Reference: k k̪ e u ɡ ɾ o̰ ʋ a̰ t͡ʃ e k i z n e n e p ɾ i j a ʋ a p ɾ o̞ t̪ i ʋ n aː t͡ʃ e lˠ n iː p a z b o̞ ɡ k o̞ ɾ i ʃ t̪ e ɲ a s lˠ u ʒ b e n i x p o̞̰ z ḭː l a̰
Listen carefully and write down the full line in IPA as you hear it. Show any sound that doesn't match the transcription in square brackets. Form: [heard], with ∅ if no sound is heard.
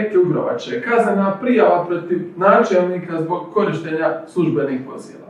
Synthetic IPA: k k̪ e u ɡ ɾ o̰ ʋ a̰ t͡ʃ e k [a] z n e n [a] p ɾ i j a ʋ a p ɾ o̞ t̪ i ʋ n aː t͡ʃ e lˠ n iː [k] a z b o̞ ɡ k o̞ ɾ i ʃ t̪ e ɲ a s lˠ u ʒ b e n i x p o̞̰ z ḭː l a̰